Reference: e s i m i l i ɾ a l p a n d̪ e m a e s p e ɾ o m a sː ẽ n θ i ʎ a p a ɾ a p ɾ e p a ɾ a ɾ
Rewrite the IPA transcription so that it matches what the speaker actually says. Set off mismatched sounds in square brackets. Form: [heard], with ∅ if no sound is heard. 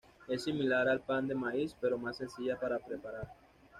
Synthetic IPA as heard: e s i m i l [a] ɾ a l p a n d̪ e m a [i] s p e ɾ o m a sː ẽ n [s] i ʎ a p a ɾ a p ɾ e p a ɾ a ɾ